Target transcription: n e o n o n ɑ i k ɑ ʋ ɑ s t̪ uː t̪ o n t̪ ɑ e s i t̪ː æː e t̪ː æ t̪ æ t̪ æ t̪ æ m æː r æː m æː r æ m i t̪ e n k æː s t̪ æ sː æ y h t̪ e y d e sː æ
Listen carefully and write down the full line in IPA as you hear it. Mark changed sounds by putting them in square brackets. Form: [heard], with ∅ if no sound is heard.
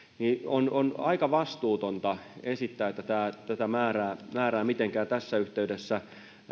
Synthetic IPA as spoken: n [i] o n o n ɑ i k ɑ ʋ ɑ s t̪ uː t̪ o n t̪ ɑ e s i t̪ː æː e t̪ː æ t̪ [æː] t̪ æ t̪ æ m æː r æː m æː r [æː] m i t̪ e [ŋ] k æː [∅] t̪ æ sː æ y h t̪ e y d e sː æ